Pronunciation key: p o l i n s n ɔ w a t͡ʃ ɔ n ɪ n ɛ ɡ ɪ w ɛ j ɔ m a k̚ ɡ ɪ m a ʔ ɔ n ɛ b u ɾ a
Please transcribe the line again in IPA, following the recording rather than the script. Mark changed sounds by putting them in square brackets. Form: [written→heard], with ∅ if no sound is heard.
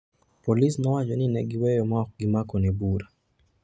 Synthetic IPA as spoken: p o l i [n→∅] s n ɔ w a t͡ʃ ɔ n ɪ n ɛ ɡ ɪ w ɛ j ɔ m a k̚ ɡ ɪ m a [ʔ→k] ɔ n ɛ b u ɾ a